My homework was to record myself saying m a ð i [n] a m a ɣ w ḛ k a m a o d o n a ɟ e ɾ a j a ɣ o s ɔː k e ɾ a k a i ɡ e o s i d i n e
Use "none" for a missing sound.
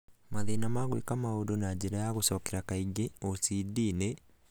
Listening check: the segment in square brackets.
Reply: n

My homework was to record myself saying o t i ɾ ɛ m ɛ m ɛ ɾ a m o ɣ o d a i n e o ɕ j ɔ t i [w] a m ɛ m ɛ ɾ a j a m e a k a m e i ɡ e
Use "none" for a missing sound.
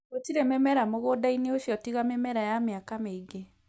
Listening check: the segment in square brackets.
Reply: ɣ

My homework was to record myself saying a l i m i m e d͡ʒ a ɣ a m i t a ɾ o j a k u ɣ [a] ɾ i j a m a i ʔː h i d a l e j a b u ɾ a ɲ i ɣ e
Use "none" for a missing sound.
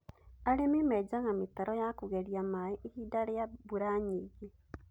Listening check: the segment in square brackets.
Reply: e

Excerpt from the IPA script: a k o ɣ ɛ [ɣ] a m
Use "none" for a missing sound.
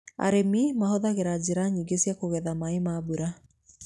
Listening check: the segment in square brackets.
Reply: ð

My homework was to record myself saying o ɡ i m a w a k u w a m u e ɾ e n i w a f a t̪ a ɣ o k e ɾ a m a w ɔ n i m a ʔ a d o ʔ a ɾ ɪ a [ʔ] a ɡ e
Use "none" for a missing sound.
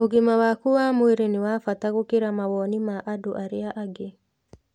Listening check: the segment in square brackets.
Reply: ʔ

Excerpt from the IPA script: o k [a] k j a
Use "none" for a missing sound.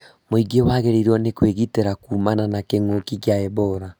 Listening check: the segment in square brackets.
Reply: i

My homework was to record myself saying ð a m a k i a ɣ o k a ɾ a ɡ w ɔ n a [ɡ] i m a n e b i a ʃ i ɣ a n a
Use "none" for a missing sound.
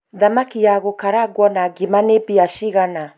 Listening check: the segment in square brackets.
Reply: ɡ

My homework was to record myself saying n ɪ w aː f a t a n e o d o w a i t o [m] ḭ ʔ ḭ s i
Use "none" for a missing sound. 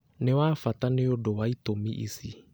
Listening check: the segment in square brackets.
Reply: m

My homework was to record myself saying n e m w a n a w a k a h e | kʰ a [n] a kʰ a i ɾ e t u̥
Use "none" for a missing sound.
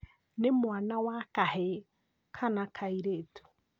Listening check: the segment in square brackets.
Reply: n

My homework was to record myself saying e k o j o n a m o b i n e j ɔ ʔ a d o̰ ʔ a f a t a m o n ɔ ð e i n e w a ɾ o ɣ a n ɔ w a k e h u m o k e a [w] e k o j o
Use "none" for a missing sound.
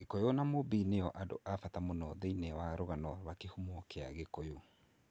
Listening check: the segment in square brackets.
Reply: ɣ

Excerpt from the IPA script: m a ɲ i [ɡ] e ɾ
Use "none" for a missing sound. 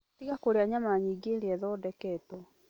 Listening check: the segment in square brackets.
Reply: ɡ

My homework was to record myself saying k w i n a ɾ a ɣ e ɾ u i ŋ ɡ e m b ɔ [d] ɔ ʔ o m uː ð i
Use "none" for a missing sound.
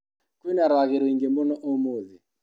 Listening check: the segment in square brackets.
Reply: n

